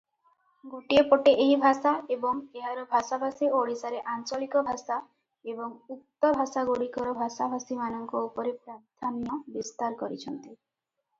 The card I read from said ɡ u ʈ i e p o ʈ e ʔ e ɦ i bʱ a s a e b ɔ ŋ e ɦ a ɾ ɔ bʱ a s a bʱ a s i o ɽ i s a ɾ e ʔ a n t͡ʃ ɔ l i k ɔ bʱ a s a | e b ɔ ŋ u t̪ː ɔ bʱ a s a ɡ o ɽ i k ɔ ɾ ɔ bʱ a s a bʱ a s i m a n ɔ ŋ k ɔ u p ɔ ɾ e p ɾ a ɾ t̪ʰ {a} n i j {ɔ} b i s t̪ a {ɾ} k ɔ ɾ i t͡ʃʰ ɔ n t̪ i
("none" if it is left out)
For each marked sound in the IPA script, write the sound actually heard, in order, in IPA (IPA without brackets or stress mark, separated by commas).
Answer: a, ɔ, ɾ